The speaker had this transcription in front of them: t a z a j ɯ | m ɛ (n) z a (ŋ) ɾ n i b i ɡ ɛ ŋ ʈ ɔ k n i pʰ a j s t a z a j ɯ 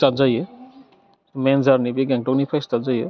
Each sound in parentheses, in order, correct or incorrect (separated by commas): correct, incorrect